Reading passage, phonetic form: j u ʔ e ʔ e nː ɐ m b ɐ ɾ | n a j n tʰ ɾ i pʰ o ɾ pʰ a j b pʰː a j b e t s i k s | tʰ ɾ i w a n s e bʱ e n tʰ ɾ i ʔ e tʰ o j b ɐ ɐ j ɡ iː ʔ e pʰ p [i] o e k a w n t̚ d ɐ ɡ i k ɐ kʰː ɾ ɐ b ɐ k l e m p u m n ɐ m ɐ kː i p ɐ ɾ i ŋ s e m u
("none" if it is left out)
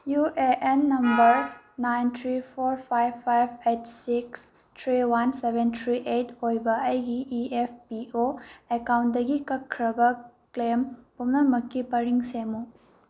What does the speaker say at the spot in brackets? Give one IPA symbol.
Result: i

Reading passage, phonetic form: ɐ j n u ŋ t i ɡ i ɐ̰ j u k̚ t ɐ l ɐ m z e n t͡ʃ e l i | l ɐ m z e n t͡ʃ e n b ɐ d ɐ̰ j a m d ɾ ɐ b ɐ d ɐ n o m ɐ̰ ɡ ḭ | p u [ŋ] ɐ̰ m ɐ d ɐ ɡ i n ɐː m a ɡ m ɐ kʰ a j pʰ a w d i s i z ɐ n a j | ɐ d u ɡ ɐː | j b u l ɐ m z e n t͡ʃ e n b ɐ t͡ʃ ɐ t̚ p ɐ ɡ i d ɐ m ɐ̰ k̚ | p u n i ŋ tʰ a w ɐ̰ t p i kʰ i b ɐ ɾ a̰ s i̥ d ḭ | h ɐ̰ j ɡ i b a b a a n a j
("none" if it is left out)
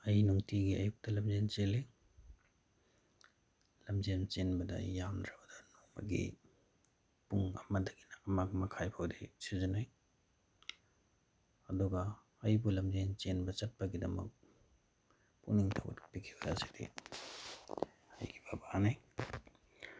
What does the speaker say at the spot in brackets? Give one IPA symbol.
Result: ŋ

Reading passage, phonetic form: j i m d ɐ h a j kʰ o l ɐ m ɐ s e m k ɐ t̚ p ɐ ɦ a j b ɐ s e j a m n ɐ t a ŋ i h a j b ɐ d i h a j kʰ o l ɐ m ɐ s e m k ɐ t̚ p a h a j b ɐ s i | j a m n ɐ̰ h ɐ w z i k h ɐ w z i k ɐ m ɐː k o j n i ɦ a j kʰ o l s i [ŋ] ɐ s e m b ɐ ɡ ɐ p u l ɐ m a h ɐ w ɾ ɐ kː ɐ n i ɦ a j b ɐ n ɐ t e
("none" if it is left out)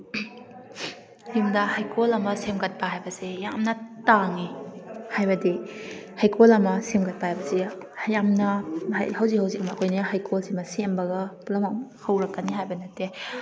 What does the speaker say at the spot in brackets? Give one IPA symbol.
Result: m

